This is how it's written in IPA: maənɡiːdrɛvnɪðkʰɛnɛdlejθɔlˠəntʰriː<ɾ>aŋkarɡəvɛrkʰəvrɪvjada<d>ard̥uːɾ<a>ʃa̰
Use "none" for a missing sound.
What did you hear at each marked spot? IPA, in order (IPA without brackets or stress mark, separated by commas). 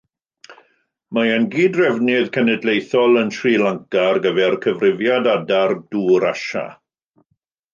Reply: l, d, a